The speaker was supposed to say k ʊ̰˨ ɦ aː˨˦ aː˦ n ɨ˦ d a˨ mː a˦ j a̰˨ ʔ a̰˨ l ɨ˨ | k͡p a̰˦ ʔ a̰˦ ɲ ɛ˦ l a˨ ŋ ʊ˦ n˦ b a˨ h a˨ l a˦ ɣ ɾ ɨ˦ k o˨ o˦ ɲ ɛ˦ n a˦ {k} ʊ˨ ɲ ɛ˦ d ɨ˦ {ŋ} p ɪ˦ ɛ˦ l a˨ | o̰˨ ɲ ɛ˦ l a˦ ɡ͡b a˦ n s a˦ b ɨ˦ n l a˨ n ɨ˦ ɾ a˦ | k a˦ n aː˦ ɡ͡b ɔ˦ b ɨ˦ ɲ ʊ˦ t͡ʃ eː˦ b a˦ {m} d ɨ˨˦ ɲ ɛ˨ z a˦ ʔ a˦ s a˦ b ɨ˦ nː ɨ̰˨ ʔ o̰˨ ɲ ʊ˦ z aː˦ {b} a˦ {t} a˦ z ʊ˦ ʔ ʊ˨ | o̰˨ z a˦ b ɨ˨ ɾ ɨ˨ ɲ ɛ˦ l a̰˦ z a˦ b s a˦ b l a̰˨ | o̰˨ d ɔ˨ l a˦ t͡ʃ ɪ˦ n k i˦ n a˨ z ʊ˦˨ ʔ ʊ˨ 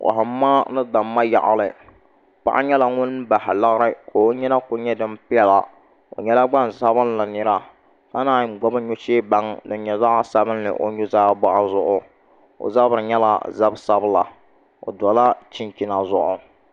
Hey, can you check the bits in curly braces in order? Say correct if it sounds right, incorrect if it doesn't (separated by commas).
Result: correct, incorrect, incorrect, correct, incorrect